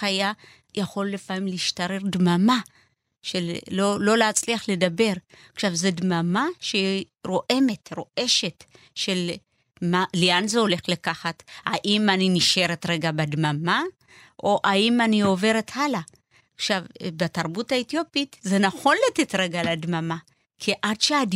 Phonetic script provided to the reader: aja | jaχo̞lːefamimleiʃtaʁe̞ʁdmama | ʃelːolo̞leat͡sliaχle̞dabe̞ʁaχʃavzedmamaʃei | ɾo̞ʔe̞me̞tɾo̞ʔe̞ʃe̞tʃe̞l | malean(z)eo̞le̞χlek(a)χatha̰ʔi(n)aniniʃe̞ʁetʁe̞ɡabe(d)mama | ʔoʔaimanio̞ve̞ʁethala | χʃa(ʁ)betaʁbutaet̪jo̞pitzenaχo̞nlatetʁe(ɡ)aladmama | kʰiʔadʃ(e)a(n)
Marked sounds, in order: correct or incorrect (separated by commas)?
correct, correct, incorrect, correct, incorrect, correct, correct, incorrect